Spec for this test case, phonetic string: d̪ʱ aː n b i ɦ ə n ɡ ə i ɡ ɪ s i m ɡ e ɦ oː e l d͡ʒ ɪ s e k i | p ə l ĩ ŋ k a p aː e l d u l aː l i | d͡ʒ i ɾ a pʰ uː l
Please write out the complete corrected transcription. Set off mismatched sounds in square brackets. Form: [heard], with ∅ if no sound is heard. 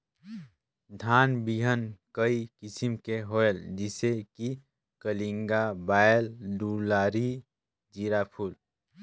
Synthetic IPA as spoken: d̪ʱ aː n b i ɦ ə n [k] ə i [k] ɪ s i m [k] e ɦ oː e l d͡ʒ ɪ s e k i | [k] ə l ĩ ŋ [ɡ] a [b] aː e l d u l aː [ɾ] i | d͡ʒ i ɾ a pʰ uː l